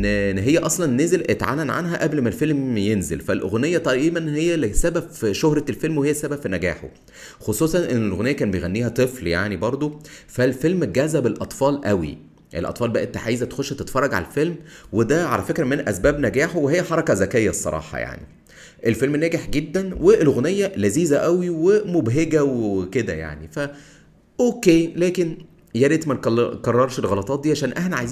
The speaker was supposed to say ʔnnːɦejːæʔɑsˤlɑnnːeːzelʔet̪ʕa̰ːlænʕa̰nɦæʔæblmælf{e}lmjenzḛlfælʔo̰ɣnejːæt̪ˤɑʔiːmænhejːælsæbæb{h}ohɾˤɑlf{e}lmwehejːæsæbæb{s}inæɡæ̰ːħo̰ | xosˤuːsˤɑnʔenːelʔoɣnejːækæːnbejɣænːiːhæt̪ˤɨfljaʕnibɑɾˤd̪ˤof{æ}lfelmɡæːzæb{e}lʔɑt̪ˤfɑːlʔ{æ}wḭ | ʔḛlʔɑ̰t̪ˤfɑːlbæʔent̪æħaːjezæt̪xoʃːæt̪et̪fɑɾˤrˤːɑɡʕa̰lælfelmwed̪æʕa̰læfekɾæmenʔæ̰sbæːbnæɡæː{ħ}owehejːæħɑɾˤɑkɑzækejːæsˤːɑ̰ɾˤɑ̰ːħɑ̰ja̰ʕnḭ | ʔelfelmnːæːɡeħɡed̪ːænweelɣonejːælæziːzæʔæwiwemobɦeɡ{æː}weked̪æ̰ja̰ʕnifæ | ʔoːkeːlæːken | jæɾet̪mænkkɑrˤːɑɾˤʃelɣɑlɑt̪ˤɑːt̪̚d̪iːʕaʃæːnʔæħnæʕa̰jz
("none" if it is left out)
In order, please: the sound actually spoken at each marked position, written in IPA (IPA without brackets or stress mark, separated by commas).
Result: e, ʃ, e, f, æ, e, æ, ħ, æ